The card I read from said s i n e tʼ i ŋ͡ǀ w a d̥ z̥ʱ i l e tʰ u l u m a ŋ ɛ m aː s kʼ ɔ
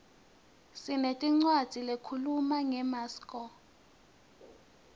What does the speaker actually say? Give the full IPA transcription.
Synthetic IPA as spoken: s i n e tʼ i ŋ͡ǀ w a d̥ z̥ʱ i l e kʰ u l u m a ŋ ɛ m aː s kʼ ɔ